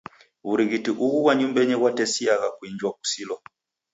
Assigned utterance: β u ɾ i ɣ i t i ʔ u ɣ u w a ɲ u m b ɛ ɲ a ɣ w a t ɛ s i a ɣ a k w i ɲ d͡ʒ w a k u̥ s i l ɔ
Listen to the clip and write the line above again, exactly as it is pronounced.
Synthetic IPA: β u ɾ i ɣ i t i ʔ u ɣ u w a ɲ u m b ɛ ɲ ɛ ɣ w a t ɛ s i a ɣ a k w i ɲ d͡ʒ w a k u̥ s i l ɔ